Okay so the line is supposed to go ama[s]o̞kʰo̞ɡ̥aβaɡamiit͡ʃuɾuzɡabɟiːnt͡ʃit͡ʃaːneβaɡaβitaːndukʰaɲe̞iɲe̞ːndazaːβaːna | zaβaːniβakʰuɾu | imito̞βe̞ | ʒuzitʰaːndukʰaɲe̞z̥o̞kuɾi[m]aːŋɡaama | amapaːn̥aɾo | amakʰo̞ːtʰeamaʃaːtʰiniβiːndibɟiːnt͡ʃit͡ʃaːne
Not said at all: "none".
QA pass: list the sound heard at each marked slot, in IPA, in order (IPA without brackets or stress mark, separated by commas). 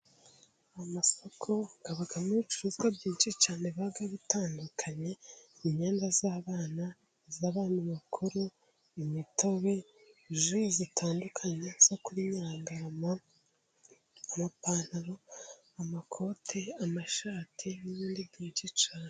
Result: s, ɲ